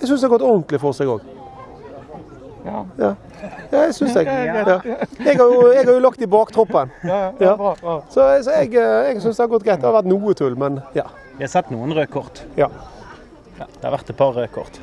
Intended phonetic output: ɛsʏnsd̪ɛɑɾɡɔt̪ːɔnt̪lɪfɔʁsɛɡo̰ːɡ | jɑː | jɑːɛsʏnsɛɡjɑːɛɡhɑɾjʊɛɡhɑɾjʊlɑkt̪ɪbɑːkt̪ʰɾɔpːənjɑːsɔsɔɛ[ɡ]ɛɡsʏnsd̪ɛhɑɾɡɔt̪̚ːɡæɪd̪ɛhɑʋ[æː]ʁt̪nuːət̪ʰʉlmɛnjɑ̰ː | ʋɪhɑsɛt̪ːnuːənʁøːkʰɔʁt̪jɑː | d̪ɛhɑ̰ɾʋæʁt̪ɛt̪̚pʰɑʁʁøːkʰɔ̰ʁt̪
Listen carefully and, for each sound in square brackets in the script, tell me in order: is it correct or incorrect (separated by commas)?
correct, incorrect